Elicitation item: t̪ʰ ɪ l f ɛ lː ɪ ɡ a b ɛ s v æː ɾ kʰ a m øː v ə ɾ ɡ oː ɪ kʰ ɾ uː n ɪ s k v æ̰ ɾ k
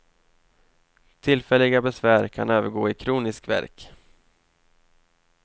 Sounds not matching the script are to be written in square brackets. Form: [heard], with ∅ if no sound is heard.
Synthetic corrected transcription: t̪ʰ ɪ l f ɛ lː ɪ ɡ a b ɛ s v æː ɾ kʰ a [n] øː v ə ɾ ɡ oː ɪ kʰ ɾ uː n ɪ s k v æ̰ ɾ k